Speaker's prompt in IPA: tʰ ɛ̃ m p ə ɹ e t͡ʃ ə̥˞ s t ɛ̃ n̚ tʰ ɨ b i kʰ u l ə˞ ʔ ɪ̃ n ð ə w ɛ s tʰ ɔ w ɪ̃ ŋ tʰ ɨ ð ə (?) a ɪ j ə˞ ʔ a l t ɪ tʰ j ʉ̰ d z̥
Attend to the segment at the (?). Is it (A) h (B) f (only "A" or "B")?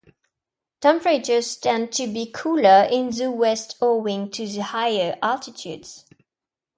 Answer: A